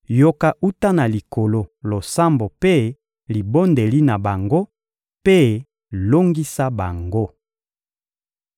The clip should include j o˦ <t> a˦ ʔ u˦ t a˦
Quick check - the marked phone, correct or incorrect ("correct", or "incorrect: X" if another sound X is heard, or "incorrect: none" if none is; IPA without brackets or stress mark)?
incorrect: k